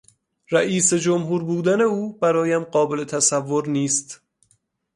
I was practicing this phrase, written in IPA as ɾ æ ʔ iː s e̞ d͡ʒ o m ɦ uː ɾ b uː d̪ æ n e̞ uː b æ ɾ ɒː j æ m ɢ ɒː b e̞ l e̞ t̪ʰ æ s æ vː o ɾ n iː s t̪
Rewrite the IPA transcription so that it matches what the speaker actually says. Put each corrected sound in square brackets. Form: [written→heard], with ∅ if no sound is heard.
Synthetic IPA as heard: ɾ æ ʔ iː s e̞ d͡ʒ o m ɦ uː ɾ b uː d̪ æ n e̞ uː b æ ɾ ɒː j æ m ɢ ɒː b e̞ l e̞ t̪ʰ æ s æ vː o ɾ n iː s t̪